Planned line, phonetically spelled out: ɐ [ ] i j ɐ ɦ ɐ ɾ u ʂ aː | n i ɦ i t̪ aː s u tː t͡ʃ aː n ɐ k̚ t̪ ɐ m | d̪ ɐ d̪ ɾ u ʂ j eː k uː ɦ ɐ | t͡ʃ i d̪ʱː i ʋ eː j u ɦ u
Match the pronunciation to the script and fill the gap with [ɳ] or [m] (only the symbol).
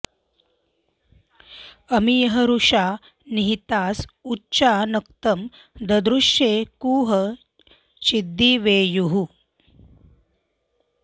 m